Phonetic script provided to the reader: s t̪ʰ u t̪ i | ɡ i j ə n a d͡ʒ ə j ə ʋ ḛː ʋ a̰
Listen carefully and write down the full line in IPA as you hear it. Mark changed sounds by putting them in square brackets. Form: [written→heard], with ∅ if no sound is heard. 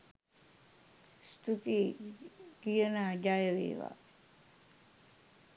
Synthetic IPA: s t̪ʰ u t̪ i | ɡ i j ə n a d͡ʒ [ə→a] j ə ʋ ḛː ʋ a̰